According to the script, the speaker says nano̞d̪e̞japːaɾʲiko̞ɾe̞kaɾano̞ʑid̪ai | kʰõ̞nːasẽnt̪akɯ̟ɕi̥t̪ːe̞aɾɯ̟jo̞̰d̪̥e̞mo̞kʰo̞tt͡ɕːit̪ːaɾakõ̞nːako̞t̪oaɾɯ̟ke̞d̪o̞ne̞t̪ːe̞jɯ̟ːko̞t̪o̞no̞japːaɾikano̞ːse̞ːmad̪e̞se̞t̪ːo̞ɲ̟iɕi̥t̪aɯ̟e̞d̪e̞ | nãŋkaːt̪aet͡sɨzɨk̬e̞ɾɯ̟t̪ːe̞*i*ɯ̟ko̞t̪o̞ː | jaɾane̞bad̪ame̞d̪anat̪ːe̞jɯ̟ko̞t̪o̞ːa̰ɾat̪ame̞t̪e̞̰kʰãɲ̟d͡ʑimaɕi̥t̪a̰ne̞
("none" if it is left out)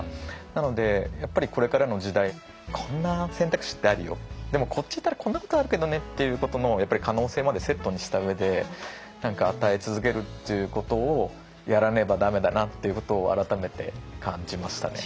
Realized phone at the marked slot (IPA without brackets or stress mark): j